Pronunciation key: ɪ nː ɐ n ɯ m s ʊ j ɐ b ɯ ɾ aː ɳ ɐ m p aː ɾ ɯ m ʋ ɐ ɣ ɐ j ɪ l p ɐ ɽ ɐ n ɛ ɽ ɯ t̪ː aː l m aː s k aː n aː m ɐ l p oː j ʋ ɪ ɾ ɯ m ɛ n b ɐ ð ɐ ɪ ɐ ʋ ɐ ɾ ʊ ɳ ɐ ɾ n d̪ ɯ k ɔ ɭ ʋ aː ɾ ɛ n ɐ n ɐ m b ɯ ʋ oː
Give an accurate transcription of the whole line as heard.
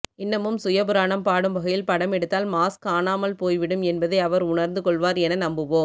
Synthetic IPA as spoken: ɪ nː ɐ m ɯ m s ʊ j ɐ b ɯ ɾ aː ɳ ɐ m p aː ɽ ɯ m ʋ ɐ ɣ ɐ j ɪ l p ɐ ɽ ɐ m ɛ ɽ ɯ t̪ː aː l m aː s k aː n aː m ɐ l p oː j ʋ ɪ ɽ ɯ m ɛ n b ɐ ð ɐ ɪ ɐ ʋ ɐ ɾ ʊ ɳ ɐ ɾ n d̪ ɯ k ɔ ɭ ʋ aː ɾ ɛ n ɐ n ɐ m b ɯ ʋ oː